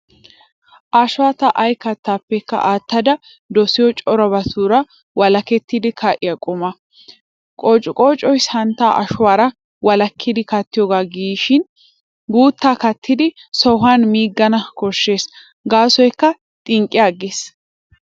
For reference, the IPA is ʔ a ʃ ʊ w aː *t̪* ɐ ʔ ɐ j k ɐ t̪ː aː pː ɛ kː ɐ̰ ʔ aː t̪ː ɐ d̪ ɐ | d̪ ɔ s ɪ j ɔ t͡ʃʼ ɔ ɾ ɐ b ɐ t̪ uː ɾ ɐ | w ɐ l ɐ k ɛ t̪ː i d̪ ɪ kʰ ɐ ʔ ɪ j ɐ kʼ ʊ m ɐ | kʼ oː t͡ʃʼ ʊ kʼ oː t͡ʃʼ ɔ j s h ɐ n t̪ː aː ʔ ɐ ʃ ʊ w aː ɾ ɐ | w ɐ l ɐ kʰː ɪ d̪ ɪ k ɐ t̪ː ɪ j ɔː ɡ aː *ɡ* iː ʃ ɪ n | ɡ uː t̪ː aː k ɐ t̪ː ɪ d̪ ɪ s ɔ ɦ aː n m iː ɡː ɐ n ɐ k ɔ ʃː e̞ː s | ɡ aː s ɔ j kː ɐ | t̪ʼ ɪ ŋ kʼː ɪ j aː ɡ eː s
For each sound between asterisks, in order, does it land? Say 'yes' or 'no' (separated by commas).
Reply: yes, yes